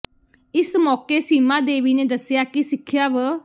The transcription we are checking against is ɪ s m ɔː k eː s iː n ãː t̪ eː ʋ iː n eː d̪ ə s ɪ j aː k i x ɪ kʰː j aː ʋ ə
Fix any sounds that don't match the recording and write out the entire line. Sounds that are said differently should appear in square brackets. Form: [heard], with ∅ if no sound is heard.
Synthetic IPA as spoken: ɪ s m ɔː k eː s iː [m] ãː [d̪] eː ʋ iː n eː d̪ ə s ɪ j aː k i [s] ɪ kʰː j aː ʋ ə

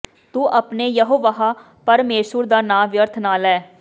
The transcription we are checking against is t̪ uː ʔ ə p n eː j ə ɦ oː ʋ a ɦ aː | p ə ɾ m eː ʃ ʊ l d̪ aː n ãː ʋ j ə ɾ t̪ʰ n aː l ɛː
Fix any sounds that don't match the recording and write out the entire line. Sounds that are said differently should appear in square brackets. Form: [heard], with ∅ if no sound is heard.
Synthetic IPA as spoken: t̪ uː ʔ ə p n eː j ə ɦ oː ʋ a ɦ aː | p ə ɾ m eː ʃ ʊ [ɾ] d̪ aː n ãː ʋ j ə ɾ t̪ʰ n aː l ɛː

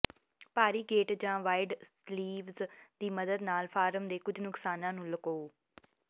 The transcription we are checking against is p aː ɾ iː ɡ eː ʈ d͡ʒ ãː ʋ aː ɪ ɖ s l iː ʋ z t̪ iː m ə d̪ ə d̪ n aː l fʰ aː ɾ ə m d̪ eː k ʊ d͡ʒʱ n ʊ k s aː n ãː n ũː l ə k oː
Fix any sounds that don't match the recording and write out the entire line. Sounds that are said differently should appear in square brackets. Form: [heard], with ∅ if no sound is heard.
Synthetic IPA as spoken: p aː ɾ iː ɡ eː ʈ d͡ʒ ãː ʋ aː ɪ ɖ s l iː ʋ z [d̪] iː m ə d̪ ə d̪ n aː l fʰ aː ɾ ə m d̪ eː k ʊ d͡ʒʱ n ʊ k s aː n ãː n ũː l ə k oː

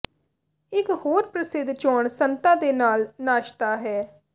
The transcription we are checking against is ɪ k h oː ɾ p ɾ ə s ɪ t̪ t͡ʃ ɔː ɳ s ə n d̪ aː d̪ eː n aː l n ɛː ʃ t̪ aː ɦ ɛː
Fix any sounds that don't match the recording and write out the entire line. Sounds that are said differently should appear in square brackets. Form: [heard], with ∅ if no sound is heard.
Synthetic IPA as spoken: ɪ k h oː ɾ p ɾ ə s ɪ [d̪] t͡ʃ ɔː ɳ s ə n [t̪] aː d̪ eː n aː l n [aː] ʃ t̪ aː ɦ ɛː

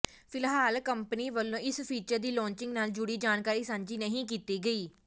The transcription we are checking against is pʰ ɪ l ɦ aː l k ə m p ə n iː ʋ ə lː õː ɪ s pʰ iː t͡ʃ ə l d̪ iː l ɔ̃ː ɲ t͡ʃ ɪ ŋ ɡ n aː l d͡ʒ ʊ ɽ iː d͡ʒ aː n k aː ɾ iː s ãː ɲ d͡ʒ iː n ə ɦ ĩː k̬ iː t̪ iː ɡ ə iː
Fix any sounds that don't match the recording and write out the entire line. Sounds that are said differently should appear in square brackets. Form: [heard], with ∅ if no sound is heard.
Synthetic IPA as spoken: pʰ ɪ l ɦ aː l k ə m p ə n iː ʋ ə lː õː ɪ s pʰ iː t͡ʃ ə [ɾ] d̪ iː l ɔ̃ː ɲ t͡ʃ ɪ ŋ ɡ n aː l d͡ʒ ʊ ɽ iː d͡ʒ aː n k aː ɾ iː s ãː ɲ d͡ʒ iː n ə ɦ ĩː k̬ iː t̪ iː ɡ ə iː

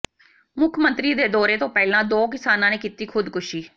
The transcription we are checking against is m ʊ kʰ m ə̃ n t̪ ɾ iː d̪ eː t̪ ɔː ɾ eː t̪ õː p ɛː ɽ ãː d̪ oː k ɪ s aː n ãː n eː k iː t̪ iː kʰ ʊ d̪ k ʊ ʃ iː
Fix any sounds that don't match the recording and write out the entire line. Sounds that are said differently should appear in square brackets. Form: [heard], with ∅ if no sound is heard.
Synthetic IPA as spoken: m ʊ kʰ m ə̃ n t̪ ɾ iː d̪ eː [d̪] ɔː ɾ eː t̪ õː p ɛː [l] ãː d̪ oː k ɪ s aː n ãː n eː k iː t̪ iː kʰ ʊ d̪ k ʊ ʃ iː

